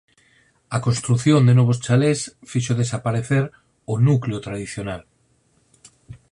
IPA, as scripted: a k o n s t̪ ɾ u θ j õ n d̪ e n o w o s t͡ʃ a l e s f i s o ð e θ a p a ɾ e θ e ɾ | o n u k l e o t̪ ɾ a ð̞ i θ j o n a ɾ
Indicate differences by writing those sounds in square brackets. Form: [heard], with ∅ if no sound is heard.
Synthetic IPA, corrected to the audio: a k o n s t̪ ɾ u θ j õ n d̪ e n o [β] o s t͡ʃ a l e s f i [ʃ] o ð e [s] a p a ɾ e θ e ɾ | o n u k l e o t̪ ɾ a ð̞ i θ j o n a [l]